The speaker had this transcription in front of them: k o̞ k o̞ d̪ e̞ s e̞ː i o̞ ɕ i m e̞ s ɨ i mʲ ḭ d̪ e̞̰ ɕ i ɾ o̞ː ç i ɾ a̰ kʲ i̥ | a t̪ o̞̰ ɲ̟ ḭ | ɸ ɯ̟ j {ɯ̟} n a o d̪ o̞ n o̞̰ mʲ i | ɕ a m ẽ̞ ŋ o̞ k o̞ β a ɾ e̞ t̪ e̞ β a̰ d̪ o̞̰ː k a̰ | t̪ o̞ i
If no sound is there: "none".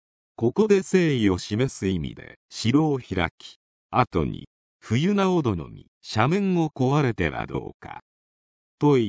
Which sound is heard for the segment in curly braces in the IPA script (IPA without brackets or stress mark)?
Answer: ɯ̟